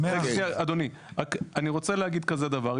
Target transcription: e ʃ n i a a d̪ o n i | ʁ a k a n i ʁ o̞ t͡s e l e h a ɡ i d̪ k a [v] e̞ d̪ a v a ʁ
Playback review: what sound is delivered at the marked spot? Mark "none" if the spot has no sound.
z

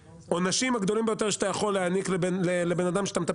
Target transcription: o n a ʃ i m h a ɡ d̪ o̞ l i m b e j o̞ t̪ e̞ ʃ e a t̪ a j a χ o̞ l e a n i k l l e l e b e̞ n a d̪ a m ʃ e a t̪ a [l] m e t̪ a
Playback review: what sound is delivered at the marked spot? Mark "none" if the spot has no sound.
none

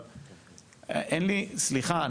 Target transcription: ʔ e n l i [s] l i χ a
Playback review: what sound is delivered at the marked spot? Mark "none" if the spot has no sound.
s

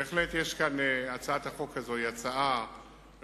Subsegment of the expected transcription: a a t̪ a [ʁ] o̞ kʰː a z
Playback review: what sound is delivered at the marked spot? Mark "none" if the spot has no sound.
χ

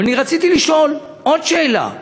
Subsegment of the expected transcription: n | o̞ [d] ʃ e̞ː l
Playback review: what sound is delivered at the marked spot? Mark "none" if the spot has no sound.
d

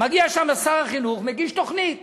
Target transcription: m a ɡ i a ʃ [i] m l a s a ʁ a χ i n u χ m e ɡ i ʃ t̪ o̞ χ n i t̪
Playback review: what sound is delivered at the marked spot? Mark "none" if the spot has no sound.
a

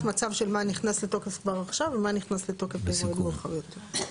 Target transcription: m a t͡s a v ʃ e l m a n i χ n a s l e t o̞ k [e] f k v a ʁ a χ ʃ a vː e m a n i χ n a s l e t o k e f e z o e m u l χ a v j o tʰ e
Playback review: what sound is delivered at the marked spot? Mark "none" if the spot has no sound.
e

